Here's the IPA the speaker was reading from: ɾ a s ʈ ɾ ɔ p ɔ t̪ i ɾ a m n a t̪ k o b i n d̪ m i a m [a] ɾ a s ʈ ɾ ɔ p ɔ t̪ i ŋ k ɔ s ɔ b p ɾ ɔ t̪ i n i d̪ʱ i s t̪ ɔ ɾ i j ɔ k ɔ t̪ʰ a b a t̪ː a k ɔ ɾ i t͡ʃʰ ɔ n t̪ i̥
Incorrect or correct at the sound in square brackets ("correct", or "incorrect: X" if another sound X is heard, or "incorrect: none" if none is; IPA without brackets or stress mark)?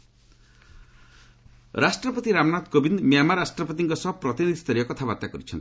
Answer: correct